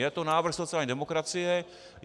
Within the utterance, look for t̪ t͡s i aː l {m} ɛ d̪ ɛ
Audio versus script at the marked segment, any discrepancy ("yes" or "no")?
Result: yes